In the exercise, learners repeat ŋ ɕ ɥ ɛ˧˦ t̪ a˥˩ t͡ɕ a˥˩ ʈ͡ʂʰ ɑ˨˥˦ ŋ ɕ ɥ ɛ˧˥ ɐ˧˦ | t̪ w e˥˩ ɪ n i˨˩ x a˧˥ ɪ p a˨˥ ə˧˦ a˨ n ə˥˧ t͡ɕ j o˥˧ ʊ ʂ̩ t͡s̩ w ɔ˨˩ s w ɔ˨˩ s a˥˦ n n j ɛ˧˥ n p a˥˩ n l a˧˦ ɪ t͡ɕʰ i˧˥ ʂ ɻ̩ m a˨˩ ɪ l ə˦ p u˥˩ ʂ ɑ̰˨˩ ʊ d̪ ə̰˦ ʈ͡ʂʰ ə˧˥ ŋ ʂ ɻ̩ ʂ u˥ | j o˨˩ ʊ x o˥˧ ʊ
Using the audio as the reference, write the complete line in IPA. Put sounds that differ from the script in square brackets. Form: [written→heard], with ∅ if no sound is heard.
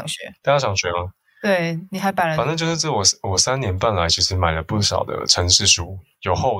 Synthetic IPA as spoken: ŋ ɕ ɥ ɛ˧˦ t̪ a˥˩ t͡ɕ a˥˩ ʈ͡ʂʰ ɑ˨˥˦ ŋ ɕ ɥ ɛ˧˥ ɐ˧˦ | t̪ w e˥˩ ɪ n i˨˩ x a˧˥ ɪ p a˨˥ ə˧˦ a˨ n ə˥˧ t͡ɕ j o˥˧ ʊ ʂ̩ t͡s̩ w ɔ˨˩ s w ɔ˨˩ s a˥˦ n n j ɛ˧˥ n p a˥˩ n l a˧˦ ɪ t͡ɕʰ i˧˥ ʂ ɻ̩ m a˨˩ ɪ l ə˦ p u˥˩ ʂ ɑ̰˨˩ ʊ d̪ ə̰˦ ʈ͡ʂʰ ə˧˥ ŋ ʂ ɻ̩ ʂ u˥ | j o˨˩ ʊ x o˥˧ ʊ